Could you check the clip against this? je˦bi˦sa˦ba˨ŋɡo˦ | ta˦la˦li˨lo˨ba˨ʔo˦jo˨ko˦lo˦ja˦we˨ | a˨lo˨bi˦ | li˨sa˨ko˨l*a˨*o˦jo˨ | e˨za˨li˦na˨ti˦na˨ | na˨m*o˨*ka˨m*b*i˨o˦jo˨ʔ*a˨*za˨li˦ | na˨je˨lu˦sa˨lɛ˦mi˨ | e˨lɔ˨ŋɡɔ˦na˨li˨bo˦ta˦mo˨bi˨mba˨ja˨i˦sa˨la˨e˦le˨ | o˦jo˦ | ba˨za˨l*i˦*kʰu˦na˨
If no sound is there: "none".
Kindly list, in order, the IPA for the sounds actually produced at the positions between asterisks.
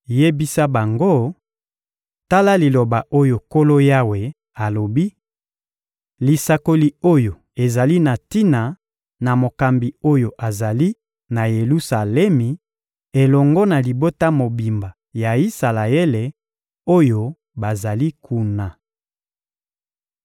i˨, o˨, b, a˨, i˦

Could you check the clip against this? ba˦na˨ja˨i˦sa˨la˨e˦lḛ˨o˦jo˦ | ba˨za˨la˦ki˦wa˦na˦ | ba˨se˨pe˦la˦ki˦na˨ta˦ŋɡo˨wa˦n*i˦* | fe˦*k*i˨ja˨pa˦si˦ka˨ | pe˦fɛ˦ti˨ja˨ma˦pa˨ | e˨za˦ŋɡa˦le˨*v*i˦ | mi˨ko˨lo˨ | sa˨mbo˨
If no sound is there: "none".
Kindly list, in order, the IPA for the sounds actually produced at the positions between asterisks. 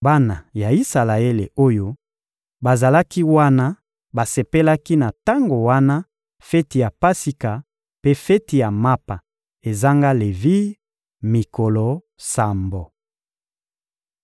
a˦, t, v

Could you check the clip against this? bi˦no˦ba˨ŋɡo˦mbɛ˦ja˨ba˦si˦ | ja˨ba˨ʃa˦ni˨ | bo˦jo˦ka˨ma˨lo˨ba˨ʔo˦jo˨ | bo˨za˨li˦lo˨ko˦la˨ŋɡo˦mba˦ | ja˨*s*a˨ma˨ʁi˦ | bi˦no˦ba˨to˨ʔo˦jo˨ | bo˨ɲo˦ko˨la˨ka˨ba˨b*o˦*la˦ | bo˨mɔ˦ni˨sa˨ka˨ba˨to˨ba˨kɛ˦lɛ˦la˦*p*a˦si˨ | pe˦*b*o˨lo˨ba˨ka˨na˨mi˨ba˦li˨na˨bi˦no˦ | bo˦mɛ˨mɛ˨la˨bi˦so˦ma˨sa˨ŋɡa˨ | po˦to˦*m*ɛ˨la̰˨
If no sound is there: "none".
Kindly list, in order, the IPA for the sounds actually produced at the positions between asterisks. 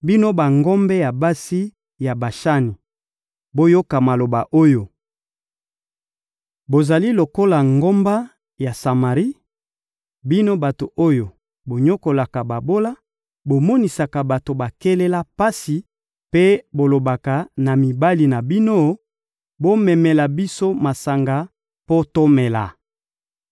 s, o˦, p, b, m

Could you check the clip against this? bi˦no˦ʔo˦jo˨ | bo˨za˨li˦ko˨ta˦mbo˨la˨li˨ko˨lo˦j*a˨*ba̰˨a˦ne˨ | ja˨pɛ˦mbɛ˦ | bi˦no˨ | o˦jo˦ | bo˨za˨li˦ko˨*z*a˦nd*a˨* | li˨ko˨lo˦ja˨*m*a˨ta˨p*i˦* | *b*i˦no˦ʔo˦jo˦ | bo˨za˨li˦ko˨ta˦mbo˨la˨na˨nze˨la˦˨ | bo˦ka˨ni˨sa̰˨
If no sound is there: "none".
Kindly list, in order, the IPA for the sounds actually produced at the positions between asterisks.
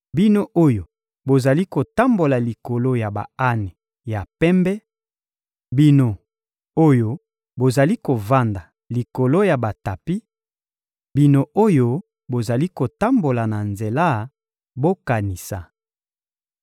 a˨, v, a˨, b, i˦, b

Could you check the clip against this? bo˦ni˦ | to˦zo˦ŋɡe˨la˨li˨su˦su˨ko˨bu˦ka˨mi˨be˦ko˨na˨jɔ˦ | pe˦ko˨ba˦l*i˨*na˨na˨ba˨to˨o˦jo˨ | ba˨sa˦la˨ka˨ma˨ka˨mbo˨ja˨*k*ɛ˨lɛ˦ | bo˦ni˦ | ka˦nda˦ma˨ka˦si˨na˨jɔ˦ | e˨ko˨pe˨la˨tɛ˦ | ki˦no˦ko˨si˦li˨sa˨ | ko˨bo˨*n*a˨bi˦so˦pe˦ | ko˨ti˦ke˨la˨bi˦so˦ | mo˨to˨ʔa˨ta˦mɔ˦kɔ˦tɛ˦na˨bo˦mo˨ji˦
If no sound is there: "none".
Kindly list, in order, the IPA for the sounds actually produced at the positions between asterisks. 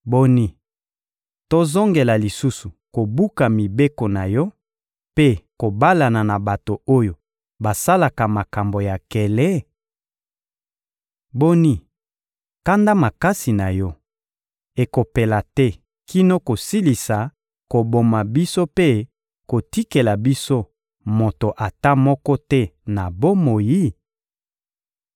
a˨, k, m

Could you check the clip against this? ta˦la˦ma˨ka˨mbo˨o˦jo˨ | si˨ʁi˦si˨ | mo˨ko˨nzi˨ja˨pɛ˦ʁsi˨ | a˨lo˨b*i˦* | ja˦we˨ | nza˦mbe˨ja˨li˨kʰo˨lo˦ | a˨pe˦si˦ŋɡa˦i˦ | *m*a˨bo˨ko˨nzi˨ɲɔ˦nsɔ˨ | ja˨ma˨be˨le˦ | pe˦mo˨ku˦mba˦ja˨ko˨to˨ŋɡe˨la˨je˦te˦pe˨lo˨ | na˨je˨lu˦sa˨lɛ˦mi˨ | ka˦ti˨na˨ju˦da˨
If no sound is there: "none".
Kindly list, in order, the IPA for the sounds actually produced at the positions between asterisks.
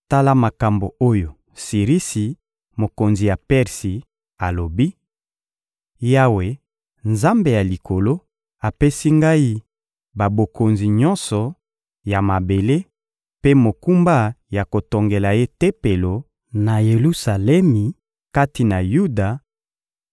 i˦, b

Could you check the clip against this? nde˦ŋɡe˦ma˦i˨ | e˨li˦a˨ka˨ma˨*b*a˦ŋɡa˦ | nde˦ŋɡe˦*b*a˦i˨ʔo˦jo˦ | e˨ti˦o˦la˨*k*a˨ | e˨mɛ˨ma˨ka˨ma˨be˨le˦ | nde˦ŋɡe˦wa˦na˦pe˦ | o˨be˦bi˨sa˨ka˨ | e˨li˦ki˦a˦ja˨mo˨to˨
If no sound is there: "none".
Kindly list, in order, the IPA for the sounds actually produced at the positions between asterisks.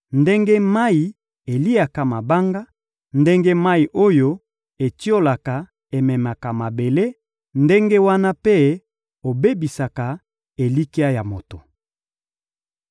b, m, k

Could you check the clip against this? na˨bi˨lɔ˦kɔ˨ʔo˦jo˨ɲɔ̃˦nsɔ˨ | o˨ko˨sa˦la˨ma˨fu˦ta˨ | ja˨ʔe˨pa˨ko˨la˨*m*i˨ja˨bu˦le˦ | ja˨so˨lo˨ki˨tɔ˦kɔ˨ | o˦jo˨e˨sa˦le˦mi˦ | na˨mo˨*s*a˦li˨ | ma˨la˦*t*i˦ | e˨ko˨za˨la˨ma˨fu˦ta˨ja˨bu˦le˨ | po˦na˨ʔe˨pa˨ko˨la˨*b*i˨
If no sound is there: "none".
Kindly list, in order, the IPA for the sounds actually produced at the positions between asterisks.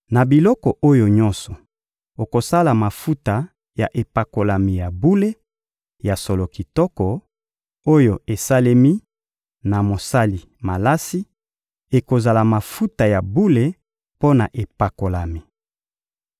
m, s, s, m

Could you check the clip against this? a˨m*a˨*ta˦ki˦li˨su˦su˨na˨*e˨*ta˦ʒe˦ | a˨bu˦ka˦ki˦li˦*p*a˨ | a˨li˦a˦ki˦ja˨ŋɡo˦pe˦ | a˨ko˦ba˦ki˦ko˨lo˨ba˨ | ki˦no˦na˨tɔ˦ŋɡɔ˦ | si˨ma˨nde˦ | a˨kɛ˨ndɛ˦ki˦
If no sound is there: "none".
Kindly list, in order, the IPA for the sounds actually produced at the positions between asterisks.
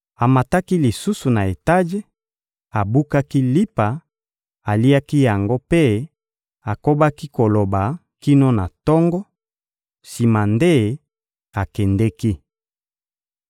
a˨, e˨, p

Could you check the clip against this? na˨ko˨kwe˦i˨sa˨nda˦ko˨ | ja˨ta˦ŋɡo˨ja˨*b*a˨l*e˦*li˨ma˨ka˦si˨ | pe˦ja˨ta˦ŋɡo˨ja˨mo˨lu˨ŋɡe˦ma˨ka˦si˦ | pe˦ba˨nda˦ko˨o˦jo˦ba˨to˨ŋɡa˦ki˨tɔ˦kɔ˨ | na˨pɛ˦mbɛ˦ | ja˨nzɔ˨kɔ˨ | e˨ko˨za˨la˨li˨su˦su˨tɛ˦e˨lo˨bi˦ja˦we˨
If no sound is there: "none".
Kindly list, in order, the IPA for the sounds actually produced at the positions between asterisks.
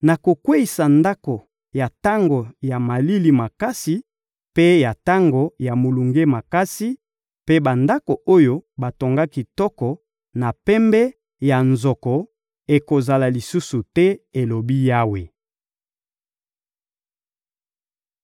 m, i˦

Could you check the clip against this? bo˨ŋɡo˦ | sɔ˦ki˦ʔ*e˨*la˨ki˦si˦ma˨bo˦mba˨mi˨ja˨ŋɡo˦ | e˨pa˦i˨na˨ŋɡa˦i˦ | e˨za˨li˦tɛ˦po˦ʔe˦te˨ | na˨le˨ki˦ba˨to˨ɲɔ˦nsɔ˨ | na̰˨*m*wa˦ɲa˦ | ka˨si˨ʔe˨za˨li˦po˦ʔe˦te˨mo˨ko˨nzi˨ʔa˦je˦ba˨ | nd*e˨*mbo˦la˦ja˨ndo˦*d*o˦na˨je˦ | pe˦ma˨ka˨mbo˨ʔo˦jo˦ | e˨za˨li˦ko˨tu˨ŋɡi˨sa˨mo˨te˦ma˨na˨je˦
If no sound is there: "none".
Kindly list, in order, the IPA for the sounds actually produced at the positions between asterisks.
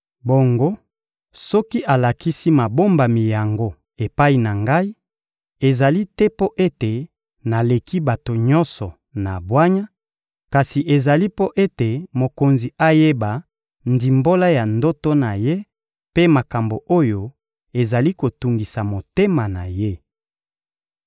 a˨, b, i˨, t

